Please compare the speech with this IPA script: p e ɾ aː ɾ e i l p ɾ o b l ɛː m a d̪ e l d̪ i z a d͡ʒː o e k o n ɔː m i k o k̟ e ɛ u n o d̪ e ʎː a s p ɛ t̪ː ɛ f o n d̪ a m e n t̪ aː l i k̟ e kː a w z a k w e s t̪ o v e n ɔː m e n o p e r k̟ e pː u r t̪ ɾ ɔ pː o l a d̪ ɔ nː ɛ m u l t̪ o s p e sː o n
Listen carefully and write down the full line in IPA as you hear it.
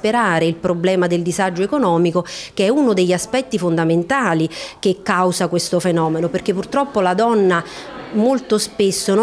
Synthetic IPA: p e ɾ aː ɾ e i l p ɾ o b l ɛː m a d̪ e l d̪ i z a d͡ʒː o e k o n ɔː m i k o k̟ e ɛ u n o d̪ e ʎː a s p ɛ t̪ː i f o n d̪ a m e n t̪ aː l i k̟ e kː a w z a k w e s t̪ o f e n ɔː m e n o p e r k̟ e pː u r t̪ ɾ ɔ pː o l a d̪ ɔ nː a m o l t̪ o s p e sː o n